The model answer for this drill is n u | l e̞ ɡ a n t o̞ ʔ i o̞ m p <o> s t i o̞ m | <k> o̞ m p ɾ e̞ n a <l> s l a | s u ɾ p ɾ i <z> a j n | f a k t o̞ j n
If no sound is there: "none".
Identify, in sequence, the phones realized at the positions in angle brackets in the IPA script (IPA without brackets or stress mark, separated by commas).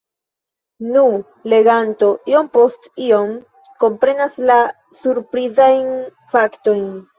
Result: o, k, none, z